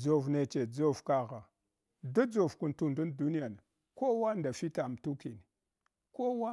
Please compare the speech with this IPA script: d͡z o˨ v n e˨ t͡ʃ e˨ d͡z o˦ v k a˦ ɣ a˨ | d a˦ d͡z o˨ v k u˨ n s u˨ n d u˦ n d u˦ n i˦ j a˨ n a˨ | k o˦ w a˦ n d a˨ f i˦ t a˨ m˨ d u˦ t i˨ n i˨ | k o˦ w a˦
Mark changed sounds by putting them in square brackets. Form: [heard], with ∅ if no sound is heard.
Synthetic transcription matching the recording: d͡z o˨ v n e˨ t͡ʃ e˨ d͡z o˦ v k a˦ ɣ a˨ | d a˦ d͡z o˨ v k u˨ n [t] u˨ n d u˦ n d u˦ n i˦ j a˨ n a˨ | k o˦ w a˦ n d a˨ f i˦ t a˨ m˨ [t] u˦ [k] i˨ n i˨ | k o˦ w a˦